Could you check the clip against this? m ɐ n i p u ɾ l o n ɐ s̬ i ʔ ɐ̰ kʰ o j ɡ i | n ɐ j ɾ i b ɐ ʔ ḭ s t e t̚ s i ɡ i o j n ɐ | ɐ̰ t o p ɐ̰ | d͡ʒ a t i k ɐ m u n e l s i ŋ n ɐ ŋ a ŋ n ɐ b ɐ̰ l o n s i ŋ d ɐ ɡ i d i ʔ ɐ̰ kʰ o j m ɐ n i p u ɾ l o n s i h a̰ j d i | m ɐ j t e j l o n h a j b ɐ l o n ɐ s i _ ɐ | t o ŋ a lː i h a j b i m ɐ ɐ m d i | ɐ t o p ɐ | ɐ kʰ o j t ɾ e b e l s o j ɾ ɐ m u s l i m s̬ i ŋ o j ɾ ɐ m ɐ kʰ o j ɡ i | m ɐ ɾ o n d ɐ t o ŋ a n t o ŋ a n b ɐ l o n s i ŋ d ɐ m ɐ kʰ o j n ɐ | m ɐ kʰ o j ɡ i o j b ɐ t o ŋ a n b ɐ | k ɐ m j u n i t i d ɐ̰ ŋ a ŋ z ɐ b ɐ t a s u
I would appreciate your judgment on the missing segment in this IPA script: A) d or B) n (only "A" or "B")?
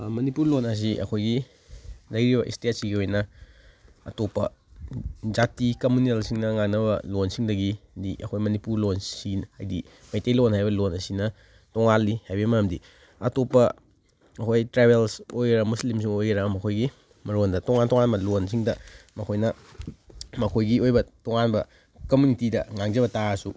B